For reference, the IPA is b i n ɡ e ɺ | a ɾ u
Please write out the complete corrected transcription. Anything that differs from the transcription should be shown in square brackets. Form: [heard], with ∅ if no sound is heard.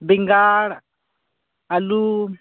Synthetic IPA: b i [ŋ] ɡ [a] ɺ | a [l] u